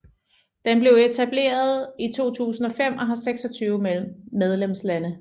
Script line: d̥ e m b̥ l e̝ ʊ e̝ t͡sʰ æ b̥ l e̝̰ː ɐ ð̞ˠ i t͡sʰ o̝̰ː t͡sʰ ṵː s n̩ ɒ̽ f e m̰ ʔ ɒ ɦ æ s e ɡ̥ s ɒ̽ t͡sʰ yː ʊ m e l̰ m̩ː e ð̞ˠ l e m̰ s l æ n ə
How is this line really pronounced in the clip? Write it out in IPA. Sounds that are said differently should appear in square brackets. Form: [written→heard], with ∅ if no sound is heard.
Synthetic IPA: d̥ e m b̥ l e̝ ʊ e̝ t͡sʰ æ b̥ l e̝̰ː ɐ ð̞ˠ i t͡sʰ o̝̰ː t͡sʰ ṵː s n̩ ɒ̽ f e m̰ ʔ ɒ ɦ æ s e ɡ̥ s ɒ̽ t͡sʰ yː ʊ m e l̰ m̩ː e ð̞ˠ l e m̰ s l æ n ə